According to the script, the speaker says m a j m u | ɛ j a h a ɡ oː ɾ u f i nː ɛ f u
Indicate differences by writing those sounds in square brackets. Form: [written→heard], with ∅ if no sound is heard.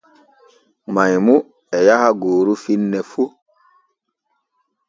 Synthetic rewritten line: m a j m u | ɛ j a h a ɡ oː ɾ u f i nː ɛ f u